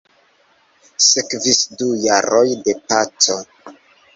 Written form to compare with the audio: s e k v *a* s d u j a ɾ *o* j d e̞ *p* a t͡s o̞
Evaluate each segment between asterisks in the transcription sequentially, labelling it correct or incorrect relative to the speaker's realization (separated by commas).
incorrect, correct, correct